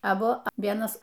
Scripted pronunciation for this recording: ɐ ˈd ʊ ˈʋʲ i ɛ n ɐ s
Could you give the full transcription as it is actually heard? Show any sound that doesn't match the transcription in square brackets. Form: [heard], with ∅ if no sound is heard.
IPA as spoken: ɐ [ˈb] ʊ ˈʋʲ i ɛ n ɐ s